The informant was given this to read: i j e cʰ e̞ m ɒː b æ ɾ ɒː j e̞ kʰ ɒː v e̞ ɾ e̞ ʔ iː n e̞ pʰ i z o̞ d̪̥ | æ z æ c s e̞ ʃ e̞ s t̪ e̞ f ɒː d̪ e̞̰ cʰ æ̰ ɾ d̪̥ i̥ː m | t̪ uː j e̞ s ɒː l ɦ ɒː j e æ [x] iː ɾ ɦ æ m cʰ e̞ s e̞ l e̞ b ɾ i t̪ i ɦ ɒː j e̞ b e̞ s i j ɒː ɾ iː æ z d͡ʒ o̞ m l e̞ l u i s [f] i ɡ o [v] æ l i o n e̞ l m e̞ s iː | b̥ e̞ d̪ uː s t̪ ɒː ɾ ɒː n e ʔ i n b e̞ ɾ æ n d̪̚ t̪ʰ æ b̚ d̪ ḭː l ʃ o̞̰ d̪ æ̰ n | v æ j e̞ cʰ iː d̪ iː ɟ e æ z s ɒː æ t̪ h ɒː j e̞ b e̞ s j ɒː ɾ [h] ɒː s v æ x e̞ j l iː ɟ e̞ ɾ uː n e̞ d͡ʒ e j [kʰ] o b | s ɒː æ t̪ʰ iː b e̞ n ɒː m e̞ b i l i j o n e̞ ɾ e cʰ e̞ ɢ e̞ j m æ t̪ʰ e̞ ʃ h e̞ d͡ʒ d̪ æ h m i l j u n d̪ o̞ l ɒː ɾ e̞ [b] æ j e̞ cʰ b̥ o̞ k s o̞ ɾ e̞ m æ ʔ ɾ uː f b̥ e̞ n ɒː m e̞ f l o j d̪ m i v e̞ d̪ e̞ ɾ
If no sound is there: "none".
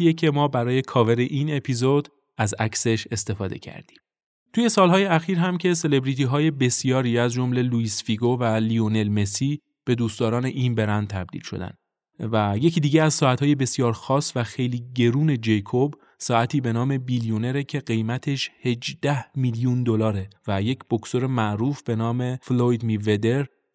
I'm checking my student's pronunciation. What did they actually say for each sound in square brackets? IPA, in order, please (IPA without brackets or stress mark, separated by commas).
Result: x, f, v, x, kʰ, v